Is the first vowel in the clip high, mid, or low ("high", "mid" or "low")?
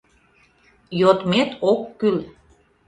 mid